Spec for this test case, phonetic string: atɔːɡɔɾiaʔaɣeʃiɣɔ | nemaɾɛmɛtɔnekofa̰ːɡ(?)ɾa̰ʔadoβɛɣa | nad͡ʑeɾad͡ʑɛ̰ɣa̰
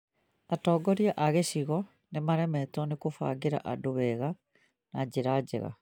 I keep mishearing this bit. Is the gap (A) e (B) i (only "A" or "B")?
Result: A